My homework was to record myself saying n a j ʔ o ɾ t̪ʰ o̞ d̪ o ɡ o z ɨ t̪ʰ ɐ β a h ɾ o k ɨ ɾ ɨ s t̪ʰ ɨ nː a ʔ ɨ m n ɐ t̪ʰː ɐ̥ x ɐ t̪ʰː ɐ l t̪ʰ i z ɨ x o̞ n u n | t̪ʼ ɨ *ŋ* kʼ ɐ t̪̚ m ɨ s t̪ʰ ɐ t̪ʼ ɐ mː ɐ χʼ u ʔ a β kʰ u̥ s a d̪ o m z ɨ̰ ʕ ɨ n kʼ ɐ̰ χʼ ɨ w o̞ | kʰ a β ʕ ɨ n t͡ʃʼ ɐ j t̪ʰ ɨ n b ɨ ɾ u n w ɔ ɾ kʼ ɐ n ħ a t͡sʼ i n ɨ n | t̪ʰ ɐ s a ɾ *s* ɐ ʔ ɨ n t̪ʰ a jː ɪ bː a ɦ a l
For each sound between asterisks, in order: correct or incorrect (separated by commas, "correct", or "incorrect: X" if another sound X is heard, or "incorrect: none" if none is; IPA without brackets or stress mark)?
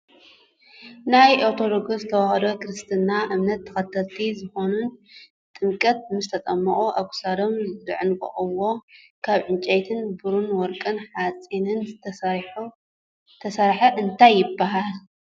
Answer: incorrect: m, incorrect: ħ